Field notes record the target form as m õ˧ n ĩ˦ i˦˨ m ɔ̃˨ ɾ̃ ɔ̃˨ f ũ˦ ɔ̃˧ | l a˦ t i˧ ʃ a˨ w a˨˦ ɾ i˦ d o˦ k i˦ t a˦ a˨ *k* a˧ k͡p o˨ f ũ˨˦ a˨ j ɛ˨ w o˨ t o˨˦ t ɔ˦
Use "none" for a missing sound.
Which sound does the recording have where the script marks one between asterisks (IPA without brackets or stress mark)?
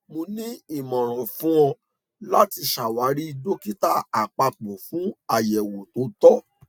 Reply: k͡p